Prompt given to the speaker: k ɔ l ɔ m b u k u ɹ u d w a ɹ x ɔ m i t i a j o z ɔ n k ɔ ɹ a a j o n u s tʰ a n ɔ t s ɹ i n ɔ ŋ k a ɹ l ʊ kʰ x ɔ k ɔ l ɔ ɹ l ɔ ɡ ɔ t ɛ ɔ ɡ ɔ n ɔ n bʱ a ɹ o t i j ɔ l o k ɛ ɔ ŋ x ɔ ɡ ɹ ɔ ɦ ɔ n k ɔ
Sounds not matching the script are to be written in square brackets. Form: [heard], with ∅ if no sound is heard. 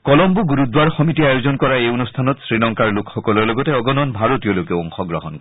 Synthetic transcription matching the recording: k ɔ l ɔ m b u [ɡ] u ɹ u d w a ɹ x ɔ m i t i a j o z ɔ n k ɔ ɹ a [e] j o n u s tʰ a n ɔ t s ɹ i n ɔ ŋ k a ɹ l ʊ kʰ x ɔ k ɔ l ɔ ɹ l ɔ ɡ ɔ t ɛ ɔ ɡ ɔ n ɔ n bʱ a ɹ o t i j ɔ l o k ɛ ɔ ŋ x ɔ ɡ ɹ ɔ ɦ ɔ n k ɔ